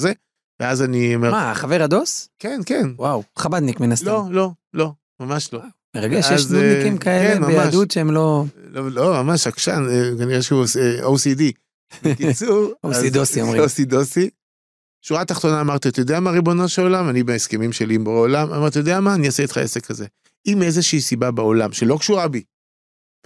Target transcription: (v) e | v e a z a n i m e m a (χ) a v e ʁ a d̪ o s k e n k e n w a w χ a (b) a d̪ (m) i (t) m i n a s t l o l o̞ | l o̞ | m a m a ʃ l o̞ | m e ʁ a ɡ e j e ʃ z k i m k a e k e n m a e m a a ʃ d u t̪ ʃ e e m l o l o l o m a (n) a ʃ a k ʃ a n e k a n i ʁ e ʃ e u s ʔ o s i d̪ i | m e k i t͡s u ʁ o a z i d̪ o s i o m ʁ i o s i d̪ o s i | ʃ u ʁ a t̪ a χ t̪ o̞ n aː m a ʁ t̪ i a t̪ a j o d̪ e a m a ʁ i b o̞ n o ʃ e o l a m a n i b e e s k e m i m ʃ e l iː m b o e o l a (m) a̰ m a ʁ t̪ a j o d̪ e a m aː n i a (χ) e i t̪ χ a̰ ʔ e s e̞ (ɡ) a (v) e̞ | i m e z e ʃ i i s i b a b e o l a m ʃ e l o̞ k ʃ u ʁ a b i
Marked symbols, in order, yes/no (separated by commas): no, yes, yes, no, no, no, yes, no, no, no